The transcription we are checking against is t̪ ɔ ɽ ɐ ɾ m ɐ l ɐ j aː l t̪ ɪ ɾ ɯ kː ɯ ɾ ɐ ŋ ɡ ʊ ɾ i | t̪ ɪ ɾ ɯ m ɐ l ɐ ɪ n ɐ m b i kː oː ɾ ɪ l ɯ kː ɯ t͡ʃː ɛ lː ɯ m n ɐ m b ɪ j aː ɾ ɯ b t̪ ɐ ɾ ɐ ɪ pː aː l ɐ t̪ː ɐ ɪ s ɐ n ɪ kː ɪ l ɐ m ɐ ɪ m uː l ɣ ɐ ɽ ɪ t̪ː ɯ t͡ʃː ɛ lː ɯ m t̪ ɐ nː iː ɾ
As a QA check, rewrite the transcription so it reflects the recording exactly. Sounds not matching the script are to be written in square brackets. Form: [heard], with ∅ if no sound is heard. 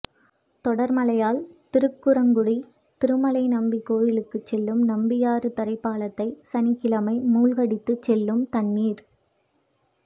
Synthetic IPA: t̪ ɔ ɽ ɐ ɾ m ɐ l ɐ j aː l t̪ ɪ ɾ ɯ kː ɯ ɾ ɐ ŋ ɡ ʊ [ɽ] i | t̪ ɪ ɾ ɯ m ɐ l ɐ ɪ n ɐ m b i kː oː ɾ ɪ l ɯ kː ɯ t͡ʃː ɛ lː ɯ m n ɐ m b ɪ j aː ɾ ɯ [∅] t̪ ɐ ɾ ɐ ɪ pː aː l ɐ t̪ː ɐ ɪ s ɐ n ɪ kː ɪ l ɐ m ɐ ɪ m uː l ɣ ɐ ɽ ɪ t̪ː ɯ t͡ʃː ɛ lː ɯ m t̪ ɐ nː iː ɾ